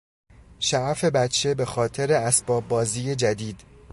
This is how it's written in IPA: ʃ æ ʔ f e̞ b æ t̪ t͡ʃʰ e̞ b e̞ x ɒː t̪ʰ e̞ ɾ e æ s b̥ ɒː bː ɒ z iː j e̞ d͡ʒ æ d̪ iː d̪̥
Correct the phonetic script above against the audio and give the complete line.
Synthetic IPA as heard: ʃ æ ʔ f e̞ b æ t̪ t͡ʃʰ e̞ b e̞ x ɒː t̪ʰ e̞ ɾ e æ s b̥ ɒː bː ɒː z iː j e̞ d͡ʒ æ d̪ iː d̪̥